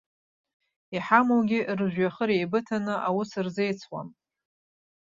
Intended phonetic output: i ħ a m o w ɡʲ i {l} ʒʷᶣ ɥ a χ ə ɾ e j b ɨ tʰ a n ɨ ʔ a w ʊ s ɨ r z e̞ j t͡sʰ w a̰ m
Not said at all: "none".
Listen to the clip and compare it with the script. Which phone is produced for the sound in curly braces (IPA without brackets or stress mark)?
r